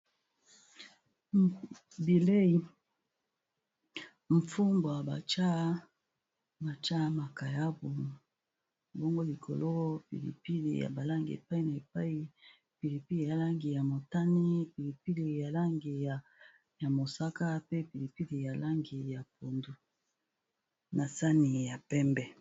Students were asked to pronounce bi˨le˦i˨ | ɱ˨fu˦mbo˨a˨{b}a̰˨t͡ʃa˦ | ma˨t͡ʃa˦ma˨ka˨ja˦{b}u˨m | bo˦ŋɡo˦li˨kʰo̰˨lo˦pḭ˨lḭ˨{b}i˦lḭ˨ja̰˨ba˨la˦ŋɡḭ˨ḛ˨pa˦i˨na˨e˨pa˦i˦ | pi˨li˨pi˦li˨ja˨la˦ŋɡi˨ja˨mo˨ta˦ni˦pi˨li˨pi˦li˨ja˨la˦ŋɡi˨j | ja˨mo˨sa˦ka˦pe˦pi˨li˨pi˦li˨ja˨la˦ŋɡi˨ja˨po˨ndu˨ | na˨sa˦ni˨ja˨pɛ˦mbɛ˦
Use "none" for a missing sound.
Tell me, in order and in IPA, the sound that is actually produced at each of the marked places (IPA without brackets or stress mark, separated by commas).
b, b, p